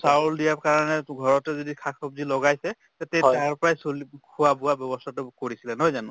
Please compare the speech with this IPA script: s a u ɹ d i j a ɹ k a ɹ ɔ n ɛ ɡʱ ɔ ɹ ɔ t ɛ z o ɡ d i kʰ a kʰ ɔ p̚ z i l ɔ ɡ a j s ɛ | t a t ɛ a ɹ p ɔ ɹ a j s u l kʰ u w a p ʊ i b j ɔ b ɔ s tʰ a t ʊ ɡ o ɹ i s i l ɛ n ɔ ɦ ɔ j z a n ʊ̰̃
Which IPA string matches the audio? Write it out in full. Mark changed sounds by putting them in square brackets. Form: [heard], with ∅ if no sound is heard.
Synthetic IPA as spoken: s a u [l] d i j a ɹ k a ɹ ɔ n ɛ ɡʱ ɔ ɹ ɔ t ɛ z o [∅] d i kʰ a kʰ ɔ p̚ z i l ɔ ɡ a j s ɛ | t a t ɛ a ɹ p ɔ ɹ a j s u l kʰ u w a [b] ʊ [a] b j ɔ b ɔ s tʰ a t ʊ [k] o ɹ i s i l ɛ n ɔ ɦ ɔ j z a n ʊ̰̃